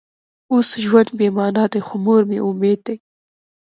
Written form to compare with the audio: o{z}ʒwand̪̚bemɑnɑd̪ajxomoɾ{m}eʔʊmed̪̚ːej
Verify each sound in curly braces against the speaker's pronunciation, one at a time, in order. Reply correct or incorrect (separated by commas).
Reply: incorrect, correct